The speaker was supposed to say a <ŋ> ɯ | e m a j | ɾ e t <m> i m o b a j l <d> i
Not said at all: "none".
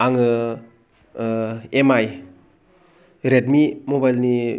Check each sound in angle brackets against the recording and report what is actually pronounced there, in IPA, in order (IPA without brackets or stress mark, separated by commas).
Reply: ŋ, m, n